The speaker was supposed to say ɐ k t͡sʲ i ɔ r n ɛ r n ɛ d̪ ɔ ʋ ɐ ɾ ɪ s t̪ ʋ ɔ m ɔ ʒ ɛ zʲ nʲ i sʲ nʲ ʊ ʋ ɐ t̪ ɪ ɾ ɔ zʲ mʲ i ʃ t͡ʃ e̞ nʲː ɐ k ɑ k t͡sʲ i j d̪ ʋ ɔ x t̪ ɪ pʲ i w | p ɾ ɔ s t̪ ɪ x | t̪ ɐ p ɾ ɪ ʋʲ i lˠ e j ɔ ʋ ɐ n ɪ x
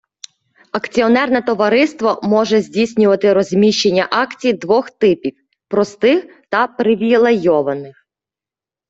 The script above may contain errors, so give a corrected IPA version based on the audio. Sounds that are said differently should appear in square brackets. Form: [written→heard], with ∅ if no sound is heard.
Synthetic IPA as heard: ɐ k t͡sʲ i ɔ [r→∅] n ɛ r n ɛ [d̪→t̪] ɔ ʋ ɐ ɾ ɪ s t̪ ʋ ɔ m ɔ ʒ ɛ zʲ [nʲ→dʲ] i sʲ nʲ ʊ ʋ ɐ t̪ ɪ ɾ ɔ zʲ mʲ i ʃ t͡ʃ e̞ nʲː ɐ [k→ʔ] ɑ k t͡sʲ i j d̪ ʋ ɔ x t̪ ɪ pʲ i w | p ɾ ɔ s t̪ ɪ x | t̪ ɐ p ɾ ɪ ʋʲ i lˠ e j ɔ ʋ ɐ n ɪ x